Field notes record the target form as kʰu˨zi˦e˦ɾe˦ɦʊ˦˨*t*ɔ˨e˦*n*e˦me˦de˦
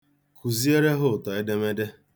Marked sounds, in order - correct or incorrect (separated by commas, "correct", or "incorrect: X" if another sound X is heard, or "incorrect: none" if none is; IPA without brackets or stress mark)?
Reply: correct, incorrect: d